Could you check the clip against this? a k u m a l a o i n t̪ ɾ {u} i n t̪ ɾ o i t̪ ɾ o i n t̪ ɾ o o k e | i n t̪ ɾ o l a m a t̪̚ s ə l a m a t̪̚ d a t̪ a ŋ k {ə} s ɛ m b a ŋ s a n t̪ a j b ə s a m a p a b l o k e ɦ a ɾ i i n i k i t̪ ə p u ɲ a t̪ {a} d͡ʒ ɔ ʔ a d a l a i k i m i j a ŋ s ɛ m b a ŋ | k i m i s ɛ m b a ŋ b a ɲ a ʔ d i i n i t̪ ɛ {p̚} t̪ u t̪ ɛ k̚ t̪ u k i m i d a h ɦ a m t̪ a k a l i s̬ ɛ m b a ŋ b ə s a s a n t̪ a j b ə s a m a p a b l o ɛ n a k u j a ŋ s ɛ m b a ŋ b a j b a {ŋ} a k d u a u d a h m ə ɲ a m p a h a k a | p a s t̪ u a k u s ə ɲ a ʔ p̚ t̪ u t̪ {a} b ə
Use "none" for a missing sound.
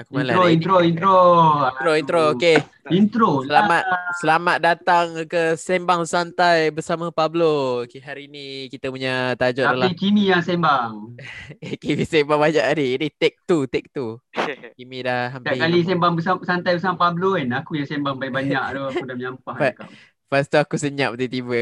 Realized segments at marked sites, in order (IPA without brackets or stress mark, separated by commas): o, ə, a, k̚, ɲ, i